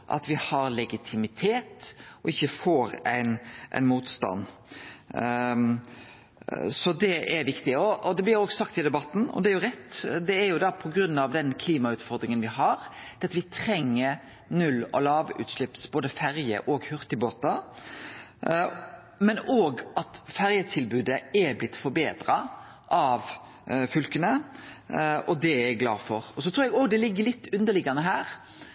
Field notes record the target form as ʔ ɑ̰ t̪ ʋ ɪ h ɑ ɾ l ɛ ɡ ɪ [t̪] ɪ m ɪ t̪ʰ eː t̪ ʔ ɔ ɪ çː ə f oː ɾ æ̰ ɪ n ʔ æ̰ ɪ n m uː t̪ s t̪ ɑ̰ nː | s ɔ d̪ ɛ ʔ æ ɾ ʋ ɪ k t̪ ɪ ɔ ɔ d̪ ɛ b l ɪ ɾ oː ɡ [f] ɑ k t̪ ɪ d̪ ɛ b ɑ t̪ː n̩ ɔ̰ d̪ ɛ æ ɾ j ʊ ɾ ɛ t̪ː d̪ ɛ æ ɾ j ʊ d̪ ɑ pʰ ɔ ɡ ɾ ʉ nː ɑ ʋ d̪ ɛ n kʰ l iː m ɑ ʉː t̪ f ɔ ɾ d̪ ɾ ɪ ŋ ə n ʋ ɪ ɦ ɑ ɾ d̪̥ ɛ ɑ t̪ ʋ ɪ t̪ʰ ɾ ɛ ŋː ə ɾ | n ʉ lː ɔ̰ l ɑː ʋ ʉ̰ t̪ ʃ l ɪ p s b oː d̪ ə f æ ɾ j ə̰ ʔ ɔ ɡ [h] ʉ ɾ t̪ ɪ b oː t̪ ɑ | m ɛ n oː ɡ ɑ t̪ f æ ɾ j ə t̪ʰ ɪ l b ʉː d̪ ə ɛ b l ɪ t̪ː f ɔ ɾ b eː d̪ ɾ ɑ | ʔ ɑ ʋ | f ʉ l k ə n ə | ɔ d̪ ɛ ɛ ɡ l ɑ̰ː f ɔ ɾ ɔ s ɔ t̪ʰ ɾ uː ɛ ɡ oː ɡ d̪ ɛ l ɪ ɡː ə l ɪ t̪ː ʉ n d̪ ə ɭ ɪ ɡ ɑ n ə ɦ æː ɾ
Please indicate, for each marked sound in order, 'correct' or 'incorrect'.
incorrect: t̪ʰ, incorrect: s, correct

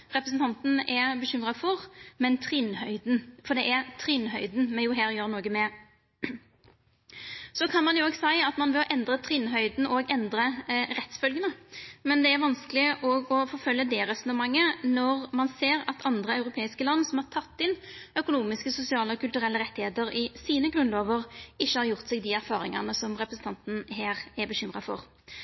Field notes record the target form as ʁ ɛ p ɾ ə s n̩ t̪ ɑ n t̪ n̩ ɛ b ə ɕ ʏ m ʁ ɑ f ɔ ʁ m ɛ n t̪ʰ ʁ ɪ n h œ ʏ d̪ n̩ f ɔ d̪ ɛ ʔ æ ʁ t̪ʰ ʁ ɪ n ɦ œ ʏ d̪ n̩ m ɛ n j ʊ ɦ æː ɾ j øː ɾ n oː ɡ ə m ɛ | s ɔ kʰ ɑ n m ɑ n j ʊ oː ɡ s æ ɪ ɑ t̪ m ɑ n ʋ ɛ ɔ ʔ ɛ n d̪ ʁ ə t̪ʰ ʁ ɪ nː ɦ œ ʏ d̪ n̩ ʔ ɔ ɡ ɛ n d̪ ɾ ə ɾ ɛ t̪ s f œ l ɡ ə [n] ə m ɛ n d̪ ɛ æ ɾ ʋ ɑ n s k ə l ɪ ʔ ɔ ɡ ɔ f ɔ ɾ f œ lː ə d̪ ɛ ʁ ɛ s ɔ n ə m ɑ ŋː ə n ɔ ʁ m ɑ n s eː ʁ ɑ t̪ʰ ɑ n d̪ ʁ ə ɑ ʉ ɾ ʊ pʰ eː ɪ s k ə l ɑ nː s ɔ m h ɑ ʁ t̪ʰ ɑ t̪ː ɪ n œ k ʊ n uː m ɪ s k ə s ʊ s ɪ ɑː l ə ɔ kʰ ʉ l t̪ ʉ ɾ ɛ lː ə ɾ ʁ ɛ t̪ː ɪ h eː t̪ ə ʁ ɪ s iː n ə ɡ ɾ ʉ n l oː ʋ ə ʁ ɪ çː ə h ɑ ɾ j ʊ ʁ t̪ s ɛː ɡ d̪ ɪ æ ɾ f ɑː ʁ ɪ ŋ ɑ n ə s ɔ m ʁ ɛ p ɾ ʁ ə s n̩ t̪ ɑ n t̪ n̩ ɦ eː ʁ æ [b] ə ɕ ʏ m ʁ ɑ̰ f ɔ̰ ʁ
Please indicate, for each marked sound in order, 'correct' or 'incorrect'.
correct, correct

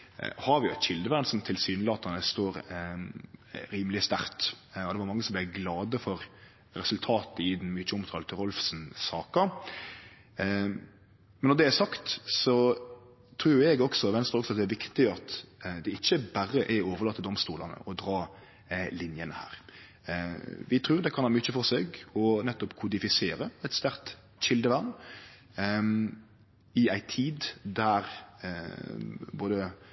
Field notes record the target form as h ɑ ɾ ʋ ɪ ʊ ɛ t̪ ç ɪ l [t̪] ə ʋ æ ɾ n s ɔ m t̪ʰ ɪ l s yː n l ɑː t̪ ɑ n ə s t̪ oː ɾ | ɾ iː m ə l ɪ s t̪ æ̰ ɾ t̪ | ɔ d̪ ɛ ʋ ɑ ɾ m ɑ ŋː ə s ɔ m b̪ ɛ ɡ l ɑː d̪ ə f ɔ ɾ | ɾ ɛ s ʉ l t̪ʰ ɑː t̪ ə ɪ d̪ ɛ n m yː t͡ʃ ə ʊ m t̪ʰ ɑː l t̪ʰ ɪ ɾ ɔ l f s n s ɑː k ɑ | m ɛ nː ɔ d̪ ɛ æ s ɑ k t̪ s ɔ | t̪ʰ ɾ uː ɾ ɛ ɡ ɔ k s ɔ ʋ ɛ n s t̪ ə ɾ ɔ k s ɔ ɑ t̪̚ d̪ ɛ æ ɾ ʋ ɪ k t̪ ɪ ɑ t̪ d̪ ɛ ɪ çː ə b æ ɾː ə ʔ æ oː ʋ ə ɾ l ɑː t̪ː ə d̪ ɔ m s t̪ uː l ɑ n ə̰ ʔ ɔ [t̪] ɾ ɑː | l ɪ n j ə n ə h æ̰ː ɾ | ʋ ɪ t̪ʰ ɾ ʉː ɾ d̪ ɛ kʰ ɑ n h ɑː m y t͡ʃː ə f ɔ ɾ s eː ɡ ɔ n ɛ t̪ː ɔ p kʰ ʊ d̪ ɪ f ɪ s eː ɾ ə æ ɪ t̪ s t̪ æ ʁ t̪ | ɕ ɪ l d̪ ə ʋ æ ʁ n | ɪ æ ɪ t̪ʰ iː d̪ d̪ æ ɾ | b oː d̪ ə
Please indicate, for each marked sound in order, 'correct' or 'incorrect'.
incorrect: d̪, incorrect: d̪

